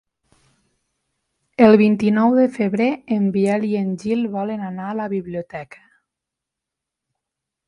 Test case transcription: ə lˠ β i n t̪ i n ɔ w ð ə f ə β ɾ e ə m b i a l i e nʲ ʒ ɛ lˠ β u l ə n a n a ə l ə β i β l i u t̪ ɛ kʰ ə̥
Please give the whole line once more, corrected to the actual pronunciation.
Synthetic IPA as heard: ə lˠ β i n t̪ i n ɔ w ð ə f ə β ɾ e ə m b i ɛ l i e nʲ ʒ i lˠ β ɔ l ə n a n a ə l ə β i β l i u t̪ ɛ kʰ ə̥